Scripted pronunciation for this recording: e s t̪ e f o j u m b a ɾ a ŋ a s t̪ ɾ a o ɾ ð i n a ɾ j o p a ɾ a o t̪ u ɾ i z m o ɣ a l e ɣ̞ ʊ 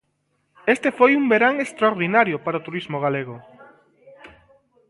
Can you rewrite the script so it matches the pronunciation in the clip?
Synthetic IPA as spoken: e s t̪ e f o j u m b e ɾ a ŋ e s t̪ ɾ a o ɾ ð i n a ɾ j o p a ɾ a o t̪ u ɾ i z m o ɣ a l e ɣ̞ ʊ